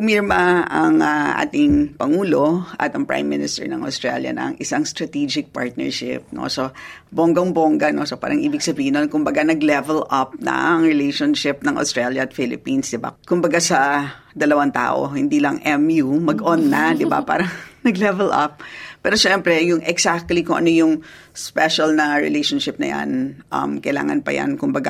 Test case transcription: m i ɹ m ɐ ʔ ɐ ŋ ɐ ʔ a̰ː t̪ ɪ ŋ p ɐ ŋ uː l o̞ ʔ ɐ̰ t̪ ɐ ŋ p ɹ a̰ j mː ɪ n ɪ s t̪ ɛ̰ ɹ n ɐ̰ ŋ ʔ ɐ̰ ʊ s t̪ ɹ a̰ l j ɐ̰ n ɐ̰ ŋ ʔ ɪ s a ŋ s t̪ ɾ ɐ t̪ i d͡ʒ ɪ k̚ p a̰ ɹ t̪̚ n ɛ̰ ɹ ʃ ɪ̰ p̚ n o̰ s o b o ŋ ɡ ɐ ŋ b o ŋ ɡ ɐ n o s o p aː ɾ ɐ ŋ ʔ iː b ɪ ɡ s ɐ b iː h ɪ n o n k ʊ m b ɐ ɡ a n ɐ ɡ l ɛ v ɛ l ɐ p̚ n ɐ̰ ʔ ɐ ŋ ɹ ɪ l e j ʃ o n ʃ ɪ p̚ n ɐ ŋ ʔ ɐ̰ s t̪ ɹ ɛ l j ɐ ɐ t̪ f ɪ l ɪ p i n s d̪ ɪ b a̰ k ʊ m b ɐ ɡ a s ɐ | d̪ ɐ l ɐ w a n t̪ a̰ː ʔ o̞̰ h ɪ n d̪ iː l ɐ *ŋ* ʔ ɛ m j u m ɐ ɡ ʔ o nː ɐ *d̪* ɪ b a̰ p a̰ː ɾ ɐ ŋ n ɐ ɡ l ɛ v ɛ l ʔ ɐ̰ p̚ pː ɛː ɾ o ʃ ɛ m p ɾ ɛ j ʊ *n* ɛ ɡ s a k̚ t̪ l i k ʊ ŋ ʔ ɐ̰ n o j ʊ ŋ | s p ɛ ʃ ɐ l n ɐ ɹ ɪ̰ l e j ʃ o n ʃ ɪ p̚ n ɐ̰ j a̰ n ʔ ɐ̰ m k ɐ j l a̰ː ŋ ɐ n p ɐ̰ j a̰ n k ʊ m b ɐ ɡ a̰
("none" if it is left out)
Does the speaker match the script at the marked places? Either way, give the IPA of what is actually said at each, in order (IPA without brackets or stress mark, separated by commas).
ŋ, d̪, ŋ